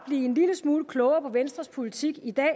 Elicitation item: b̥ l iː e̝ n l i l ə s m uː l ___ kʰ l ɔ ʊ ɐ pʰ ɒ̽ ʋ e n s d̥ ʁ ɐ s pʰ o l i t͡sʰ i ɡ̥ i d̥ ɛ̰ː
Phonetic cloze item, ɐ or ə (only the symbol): ə